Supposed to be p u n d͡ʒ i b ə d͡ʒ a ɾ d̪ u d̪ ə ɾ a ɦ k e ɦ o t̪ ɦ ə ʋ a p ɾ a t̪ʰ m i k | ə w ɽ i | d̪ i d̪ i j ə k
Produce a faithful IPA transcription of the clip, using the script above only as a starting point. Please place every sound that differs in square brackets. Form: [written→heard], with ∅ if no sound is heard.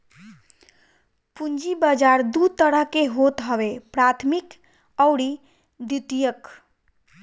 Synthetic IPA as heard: p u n d͡ʒ i b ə d͡ʒ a ɾ d̪ u [d̪→t̪] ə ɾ [a→ə] ɦ k e ɦ o t̪ ɦ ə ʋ [a→e] p ɾ a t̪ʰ m i k | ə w ɽ i | d̪ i [d̪→t̪] i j ə k